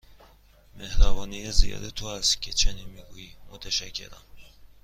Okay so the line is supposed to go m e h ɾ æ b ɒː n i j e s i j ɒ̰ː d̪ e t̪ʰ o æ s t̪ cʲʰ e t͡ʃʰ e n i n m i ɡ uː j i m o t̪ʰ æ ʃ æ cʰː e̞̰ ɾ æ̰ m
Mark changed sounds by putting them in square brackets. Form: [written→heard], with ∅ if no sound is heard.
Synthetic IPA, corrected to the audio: m e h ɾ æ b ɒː n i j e [s→z] i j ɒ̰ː d̪ e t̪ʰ o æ s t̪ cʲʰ e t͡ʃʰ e n i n m i ɡ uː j i m o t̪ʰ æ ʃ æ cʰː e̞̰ ɾ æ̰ m